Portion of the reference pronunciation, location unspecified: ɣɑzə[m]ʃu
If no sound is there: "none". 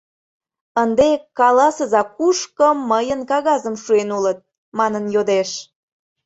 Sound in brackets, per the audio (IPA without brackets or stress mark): m